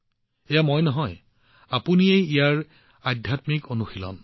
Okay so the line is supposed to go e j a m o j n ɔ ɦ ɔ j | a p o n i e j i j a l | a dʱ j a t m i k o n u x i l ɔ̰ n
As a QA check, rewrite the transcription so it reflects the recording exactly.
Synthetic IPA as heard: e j a m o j n ɔ ɦ ɔ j | a p u n i e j i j a ɹ | a dʱ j a t m i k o n u x i l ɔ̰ n